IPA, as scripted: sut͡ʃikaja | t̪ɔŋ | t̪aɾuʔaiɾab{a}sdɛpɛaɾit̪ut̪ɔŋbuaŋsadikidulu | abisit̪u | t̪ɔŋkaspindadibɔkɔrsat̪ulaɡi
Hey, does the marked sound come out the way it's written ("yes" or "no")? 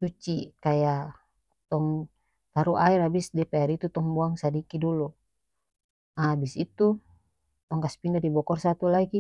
no